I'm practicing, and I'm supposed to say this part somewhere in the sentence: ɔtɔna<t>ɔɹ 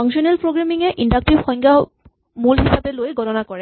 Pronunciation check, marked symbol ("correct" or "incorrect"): incorrect